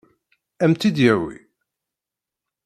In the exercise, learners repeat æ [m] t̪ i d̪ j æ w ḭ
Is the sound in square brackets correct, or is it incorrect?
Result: correct